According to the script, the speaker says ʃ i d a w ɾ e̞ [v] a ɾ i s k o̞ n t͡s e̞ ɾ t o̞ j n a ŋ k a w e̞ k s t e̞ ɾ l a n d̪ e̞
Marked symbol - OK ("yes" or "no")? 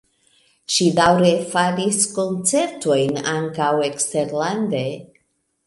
no